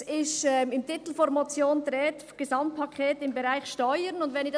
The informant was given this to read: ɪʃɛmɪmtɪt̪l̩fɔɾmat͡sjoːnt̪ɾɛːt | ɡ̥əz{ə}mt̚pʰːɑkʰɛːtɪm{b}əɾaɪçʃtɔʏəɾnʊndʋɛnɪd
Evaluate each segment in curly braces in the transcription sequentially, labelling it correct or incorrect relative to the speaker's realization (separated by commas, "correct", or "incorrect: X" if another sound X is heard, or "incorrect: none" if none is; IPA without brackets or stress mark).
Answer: incorrect: ɑ, correct